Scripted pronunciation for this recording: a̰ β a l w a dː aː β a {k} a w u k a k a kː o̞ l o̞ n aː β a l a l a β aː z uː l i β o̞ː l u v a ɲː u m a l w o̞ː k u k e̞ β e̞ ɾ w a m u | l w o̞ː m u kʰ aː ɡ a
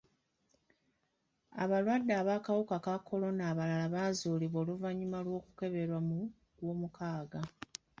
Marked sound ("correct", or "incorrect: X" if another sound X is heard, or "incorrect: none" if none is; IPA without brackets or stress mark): correct